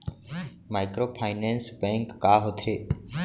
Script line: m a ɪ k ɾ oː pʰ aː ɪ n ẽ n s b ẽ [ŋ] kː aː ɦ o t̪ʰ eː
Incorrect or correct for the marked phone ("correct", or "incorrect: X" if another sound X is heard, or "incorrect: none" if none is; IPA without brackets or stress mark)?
correct